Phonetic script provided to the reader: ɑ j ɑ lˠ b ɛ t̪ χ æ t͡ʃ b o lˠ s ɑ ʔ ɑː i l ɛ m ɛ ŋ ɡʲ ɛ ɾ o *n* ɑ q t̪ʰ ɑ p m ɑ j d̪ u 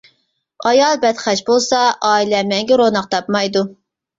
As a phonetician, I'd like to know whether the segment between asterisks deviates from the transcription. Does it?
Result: no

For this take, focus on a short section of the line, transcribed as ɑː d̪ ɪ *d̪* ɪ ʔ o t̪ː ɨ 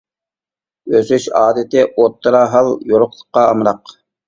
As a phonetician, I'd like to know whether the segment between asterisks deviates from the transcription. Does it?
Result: yes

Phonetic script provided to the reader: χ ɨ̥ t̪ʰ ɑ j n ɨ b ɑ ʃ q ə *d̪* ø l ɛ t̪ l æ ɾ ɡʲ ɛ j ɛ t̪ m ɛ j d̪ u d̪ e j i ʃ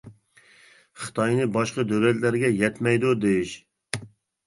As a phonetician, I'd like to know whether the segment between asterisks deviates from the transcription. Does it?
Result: no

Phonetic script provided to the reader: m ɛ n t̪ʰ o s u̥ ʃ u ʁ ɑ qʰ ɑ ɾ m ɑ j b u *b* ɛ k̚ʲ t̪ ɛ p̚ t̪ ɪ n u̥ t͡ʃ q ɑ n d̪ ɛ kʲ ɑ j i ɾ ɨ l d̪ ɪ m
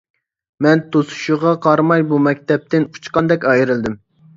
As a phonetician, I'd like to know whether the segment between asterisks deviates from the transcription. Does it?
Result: yes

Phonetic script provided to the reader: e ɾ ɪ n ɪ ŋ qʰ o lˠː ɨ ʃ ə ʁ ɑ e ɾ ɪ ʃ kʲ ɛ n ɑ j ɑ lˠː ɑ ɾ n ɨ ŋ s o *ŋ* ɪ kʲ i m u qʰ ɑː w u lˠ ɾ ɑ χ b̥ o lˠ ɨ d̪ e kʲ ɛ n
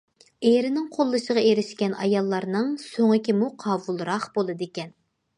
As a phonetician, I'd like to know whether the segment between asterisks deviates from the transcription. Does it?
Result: no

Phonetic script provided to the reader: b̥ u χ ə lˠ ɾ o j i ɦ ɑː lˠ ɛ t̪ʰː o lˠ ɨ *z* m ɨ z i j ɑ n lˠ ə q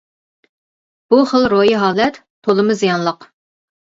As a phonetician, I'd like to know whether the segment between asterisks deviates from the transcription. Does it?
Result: yes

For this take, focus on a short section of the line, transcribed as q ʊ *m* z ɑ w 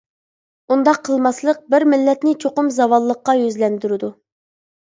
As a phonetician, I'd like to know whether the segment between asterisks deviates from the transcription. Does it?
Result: no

